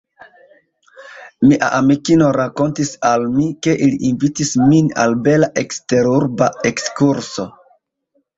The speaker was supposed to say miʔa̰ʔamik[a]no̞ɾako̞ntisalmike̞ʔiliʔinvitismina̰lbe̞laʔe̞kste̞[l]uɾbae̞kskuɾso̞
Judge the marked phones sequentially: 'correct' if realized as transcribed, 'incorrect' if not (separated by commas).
incorrect, incorrect